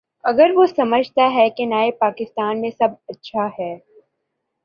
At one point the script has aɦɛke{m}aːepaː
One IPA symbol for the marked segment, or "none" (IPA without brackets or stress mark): n